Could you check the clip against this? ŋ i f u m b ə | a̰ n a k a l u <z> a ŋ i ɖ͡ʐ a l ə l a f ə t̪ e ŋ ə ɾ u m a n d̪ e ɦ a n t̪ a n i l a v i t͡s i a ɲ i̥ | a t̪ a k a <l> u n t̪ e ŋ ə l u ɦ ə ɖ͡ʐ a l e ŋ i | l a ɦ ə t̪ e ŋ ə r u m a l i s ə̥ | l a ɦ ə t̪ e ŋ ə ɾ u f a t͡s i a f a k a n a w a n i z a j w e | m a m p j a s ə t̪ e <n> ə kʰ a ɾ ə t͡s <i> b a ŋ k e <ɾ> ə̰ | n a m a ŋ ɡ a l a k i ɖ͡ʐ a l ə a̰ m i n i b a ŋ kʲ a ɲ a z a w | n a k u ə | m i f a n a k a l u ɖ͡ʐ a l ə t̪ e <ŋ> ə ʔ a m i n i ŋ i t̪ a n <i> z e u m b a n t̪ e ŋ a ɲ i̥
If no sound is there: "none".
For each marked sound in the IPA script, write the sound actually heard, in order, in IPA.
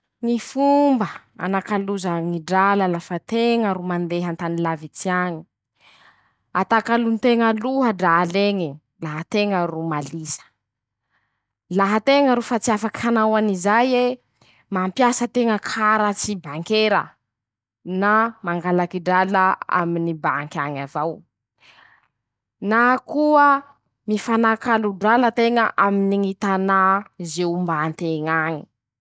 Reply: z, l, ŋ, i, ɾ, ŋ, a

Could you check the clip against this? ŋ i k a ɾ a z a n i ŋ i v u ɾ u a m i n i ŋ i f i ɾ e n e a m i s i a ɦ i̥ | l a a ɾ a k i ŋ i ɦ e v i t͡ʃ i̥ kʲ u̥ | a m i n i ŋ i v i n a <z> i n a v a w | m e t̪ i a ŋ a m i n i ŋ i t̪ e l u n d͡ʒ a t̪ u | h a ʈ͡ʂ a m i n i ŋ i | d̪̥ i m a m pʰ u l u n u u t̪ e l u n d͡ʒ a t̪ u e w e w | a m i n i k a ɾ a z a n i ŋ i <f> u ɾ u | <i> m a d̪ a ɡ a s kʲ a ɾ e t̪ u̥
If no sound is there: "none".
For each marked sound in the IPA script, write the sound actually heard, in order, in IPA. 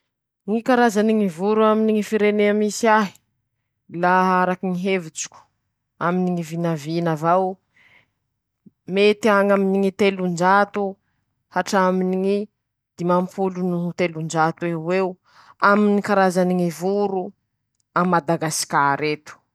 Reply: v, v, a

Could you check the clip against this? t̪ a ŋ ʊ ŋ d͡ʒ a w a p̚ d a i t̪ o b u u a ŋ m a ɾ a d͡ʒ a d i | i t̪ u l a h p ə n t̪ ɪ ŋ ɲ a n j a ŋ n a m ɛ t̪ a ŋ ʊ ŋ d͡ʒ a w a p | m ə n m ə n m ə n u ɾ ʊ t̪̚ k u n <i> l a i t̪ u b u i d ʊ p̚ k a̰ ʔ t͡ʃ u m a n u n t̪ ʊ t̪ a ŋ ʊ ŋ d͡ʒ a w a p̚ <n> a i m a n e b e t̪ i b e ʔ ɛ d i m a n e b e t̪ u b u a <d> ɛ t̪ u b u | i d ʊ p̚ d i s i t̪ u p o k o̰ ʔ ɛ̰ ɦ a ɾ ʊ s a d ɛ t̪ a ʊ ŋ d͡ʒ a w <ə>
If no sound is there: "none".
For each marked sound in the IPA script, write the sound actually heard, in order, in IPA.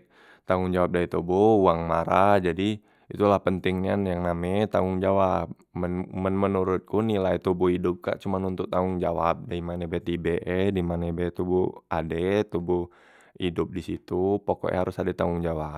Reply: i, d, d, a

